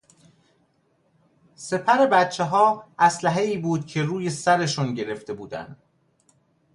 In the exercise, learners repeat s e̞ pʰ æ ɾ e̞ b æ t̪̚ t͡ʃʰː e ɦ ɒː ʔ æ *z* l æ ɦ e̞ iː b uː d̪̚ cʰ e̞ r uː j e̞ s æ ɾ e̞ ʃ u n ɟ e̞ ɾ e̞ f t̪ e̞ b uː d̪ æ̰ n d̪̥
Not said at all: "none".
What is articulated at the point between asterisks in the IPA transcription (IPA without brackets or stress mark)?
s